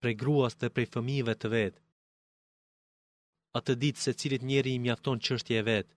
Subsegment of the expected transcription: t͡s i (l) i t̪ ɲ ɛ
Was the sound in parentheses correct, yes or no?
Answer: yes